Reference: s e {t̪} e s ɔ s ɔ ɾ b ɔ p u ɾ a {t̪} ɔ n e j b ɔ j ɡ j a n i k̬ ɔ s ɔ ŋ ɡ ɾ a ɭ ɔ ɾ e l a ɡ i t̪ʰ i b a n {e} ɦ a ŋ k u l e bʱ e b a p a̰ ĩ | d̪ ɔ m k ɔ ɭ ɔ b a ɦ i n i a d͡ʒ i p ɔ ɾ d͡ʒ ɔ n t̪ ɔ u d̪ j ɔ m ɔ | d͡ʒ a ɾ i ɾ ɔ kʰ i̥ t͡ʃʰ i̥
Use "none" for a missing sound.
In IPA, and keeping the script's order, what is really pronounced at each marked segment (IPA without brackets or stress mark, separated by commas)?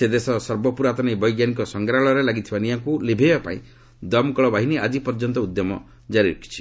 d̪, t̪, i